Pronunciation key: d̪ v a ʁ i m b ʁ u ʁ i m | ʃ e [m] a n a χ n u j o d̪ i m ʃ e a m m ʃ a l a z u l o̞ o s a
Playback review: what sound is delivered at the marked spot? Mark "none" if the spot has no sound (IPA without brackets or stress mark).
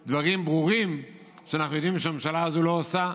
none